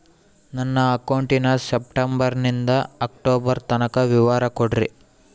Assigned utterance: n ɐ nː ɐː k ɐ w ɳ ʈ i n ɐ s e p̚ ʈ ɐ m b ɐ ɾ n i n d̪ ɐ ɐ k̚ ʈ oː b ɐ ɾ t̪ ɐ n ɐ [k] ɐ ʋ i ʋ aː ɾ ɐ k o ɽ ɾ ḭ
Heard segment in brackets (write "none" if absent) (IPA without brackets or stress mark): k